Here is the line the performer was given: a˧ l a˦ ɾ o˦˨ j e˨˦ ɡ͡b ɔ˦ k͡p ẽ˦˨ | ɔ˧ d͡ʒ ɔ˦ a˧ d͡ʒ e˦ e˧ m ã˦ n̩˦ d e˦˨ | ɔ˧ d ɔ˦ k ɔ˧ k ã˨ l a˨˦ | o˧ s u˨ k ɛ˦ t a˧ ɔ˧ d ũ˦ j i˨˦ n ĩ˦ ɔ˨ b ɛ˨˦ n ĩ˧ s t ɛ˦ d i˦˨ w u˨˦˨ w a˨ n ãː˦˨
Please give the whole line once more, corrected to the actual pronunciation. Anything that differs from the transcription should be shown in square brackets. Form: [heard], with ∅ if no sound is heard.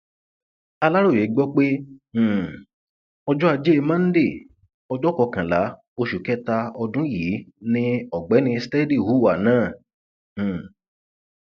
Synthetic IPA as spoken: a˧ l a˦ ɾ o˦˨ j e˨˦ ɡ͡b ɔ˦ k͡p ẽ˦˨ | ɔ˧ d͡ʒ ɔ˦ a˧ d͡ʒ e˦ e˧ m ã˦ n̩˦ d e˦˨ | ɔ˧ [d͡ʒ] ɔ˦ k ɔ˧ k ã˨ l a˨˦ | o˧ [ʃ] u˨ k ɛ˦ t a˧ ɔ˧ d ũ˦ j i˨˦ n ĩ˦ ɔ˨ [ɡ͡b] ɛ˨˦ n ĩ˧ s t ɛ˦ d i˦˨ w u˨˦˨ w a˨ n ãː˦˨

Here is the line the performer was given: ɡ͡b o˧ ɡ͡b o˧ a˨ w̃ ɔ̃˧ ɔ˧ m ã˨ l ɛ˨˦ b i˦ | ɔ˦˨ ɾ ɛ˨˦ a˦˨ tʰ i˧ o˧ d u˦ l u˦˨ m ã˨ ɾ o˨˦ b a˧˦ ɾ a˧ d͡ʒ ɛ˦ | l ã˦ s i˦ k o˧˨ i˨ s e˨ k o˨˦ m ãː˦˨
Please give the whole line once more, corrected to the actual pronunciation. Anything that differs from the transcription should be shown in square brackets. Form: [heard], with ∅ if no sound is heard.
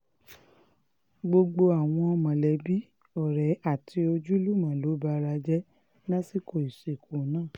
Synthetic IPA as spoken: ɡ͡b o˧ ɡ͡b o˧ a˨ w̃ ɔ̃˧ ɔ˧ m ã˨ l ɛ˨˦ b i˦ | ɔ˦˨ ɾ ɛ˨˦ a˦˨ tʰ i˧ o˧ [d͡ʒ] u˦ l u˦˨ m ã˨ [l] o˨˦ b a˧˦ ɾ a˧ d͡ʒ ɛ˦ | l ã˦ s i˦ k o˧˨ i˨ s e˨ k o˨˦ [n] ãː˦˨

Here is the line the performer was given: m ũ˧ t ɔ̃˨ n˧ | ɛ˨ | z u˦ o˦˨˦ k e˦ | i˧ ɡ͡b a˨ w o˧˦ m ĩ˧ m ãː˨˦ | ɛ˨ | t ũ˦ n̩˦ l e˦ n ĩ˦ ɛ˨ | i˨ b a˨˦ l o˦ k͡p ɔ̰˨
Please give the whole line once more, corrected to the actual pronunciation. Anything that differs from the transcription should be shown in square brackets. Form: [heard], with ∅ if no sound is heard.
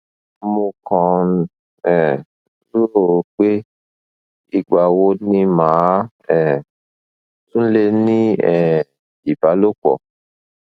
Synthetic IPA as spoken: m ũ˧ [k] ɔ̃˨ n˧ | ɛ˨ | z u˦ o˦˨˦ [k͡p] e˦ | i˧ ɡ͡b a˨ w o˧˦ [n] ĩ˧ m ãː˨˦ | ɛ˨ | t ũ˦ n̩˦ l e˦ n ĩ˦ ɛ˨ | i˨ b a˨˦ l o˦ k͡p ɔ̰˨

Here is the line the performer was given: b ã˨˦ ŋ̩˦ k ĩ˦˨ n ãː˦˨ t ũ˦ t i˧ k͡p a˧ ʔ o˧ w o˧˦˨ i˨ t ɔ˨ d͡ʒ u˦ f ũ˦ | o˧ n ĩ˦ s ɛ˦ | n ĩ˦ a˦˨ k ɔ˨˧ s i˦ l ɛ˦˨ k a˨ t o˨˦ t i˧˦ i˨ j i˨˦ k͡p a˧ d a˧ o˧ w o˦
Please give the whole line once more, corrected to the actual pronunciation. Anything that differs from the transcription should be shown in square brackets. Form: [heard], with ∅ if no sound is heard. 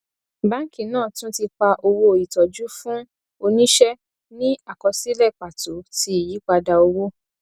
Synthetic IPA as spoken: b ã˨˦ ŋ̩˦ k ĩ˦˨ n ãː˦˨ t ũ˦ t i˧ k͡p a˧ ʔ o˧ w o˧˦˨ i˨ t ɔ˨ d͡ʒ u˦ f ũ˦ | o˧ n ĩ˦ [ʃ] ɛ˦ | n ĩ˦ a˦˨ k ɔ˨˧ s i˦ l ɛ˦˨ [k͡p] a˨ t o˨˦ t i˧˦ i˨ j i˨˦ k͡p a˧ d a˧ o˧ w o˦

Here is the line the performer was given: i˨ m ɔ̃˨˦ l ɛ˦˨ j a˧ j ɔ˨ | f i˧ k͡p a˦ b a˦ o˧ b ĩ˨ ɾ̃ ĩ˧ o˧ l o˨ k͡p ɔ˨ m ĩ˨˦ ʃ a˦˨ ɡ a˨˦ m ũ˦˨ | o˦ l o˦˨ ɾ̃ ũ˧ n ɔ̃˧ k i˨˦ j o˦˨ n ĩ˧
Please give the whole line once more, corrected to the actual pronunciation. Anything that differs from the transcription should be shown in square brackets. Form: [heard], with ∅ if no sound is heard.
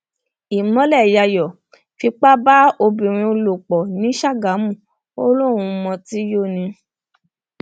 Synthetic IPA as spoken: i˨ m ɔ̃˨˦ l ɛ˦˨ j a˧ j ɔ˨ | f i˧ k͡p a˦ b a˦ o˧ b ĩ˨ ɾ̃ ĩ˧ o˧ l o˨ k͡p ɔ˨ [n] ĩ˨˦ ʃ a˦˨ ɡ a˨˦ m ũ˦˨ | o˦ l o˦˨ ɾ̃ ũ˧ [m] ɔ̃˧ [t] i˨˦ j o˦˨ n ĩ˧

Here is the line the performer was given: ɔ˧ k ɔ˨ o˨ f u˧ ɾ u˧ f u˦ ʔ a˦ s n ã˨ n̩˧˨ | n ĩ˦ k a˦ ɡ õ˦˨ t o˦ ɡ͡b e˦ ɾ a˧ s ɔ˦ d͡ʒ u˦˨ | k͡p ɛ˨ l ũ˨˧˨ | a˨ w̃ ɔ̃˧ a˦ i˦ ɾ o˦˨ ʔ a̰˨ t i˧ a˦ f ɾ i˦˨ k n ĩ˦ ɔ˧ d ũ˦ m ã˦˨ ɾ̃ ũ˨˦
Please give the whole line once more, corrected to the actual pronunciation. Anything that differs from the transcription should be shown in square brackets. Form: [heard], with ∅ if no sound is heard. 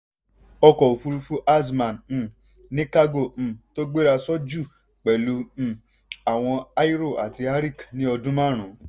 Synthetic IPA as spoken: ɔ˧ k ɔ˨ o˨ f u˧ ɾ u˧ f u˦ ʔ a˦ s [m] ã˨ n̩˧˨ | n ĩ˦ k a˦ ɡ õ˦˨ t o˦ ɡ͡b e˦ ɾ a˧ s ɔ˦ d͡ʒ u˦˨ | k͡p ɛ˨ l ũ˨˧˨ | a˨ w̃ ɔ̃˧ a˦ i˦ ɾ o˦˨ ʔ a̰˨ t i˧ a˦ [∅] ɾ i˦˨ k n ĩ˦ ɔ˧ d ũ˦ m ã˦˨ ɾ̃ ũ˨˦

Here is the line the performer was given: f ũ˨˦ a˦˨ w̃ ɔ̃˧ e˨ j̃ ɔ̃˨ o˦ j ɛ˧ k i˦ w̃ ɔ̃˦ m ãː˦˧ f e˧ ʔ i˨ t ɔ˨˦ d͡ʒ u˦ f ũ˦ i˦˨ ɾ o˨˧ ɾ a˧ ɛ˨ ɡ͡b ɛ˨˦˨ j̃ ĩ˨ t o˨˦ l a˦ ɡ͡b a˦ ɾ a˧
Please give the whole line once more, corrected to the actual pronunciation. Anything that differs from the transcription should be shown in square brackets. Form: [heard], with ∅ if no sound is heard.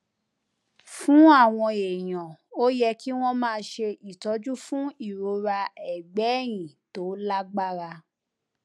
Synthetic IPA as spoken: f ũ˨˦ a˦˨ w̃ ɔ̃˧ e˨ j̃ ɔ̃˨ o˦ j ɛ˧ k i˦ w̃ ɔ̃˦ m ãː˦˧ [ʃ] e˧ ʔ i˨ t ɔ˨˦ d͡ʒ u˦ f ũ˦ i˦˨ ɾ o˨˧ ɾ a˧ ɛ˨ ɡ͡b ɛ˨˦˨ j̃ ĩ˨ t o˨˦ l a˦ ɡ͡b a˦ ɾ a˧

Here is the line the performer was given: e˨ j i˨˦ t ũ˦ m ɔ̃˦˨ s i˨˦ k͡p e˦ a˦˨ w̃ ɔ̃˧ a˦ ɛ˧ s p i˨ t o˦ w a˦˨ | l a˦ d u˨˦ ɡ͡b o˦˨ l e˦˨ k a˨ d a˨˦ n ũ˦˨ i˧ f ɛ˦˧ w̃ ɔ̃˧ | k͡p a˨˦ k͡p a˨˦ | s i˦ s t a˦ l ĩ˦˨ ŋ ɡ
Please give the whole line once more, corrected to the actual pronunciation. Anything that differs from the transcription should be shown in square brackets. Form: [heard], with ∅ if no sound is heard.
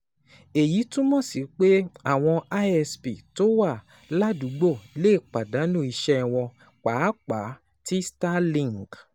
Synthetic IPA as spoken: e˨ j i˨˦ t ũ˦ m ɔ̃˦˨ s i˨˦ k͡p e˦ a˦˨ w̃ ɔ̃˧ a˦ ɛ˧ s p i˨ t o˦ w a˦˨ | l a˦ d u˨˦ ɡ͡b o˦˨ l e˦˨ [k͡p] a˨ d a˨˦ n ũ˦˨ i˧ [ʃ] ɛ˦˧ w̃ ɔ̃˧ | k͡p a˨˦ k͡p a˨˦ | [t] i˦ s t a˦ l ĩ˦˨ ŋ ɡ

